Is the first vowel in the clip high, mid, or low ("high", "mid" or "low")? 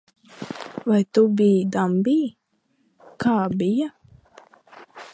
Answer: low